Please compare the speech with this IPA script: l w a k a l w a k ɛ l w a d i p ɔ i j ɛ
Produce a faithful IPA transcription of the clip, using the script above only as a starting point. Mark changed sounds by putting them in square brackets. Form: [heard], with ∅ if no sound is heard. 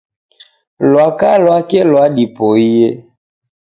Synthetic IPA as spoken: l w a k a l w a k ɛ l w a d i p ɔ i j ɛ

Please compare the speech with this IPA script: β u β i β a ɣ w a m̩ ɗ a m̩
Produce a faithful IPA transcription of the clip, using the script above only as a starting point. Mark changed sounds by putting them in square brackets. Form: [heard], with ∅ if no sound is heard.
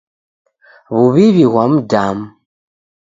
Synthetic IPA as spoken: β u β i β [i] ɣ w a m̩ [d] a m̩

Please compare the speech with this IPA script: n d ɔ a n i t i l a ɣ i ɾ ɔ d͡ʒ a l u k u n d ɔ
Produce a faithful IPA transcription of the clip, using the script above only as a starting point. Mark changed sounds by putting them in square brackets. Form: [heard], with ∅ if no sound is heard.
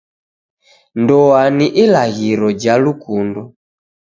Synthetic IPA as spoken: n d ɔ a n i [ʔ] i l a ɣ i ɾ ɔ d͡ʒ a l u k u n d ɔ

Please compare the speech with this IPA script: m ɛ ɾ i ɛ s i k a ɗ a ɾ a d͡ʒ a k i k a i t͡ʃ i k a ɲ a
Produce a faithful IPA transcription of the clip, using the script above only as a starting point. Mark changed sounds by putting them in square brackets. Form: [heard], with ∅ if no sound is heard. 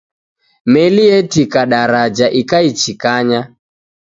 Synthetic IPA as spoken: m ɛ [l] i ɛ [t] i k a ɗ a ɾ a d͡ʒ a [ʔ] i k a i t͡ʃ i k a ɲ a

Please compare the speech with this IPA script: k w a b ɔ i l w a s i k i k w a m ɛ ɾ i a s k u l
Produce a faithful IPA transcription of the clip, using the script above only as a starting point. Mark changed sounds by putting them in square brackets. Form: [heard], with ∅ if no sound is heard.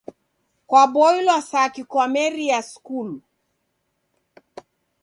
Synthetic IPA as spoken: k w a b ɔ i l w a s [a] k i k w a m ɛ ɾ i a s k u l

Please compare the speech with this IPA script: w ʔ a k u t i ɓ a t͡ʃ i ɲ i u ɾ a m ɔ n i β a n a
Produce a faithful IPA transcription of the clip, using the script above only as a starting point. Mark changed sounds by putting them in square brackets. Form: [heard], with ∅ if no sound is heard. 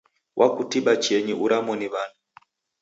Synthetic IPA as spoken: w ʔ a k u t i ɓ a t͡ʃ [ɛ] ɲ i u ɾ a m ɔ n i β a n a

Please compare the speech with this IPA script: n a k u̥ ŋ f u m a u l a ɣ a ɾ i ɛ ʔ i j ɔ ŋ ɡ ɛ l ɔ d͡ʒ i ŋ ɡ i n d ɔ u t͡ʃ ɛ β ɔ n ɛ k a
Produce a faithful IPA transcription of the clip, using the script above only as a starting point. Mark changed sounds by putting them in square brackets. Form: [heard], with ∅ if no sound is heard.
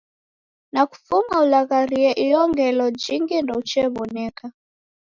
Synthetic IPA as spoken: n a k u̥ [∅] f u m a u l a ɣ a ɾ i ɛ ʔ i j ɔ ŋ ɡ ɛ l ɔ d͡ʒ i ŋ ɡ i n d ɔ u t͡ʃ ɛ β ɔ n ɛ k a

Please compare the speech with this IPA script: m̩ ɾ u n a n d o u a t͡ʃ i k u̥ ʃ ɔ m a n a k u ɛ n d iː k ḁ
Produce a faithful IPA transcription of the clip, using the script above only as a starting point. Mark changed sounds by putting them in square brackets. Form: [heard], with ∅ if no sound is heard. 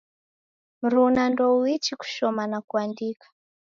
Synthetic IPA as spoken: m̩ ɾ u n a n d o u [i] t͡ʃ i k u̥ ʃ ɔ m a n a k u [a] n d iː k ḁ

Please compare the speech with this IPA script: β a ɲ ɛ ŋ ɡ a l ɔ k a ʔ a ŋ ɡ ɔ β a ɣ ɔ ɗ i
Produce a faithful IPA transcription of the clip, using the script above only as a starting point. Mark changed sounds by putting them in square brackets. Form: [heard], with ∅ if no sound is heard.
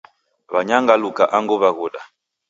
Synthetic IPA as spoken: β a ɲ [a] ŋ ɡ a l [u] k a ʔ a ŋ ɡ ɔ β a ɣ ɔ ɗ [a]

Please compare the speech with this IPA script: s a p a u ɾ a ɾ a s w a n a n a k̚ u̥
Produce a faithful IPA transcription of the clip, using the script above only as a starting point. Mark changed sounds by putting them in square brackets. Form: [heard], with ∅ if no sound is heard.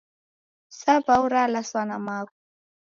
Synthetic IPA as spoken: s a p a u ɾ a [l] a s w a n a [m] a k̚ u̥

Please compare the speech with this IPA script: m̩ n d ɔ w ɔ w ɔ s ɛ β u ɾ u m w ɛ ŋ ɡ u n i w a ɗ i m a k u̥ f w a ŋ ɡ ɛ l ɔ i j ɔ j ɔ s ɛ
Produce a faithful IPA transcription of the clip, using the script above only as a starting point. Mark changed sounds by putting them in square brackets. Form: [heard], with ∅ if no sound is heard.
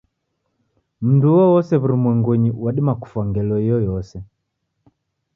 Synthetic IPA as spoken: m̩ n d [u] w ɔ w ɔ s ɛ β u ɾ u m w ɛ ŋ ɡ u [ɲ] i w a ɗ i m a k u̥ f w a ŋ ɡ ɛ l ɔ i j ɔ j ɔ s ɛ

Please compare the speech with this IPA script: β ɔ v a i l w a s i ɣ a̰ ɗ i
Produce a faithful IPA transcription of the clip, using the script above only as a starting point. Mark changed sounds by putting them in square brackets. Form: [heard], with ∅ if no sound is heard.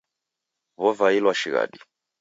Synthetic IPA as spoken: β ɔ v a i l w a [ʃ] i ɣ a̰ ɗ i

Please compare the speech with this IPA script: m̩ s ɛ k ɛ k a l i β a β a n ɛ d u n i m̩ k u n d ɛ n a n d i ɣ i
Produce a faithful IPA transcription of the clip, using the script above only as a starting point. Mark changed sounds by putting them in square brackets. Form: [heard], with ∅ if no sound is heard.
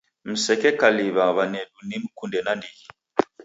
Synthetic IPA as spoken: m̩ s ɛ k ɛ k a l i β a β a n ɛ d u n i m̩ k u n d ɛ n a n d i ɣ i

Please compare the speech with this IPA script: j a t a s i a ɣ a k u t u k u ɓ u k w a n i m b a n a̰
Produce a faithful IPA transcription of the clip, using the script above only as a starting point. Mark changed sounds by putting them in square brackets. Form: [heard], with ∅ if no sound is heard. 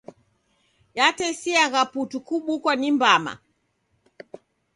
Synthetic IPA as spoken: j a t [ɛ] s i a ɣ a [p] u t u k u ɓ u k w a n i m b a [m] a̰

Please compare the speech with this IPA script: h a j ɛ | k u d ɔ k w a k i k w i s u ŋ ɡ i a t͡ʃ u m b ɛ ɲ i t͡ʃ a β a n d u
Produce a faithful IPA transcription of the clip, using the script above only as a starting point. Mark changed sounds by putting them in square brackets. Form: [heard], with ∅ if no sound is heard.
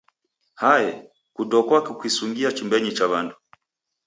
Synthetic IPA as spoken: h a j ɛ | k u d ɔ k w a k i k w i s u ŋ ɡ i a t͡ʃ u m b ɛ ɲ i t͡ʃ a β a n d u

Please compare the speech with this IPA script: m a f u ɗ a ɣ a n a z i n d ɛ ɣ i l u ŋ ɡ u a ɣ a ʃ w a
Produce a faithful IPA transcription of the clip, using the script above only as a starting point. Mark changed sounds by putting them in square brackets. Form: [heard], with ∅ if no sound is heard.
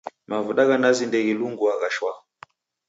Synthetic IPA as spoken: m a [v] u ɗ a ɣ a n a z i n d ɛ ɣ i l u ŋ ɡ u a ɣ a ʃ w a

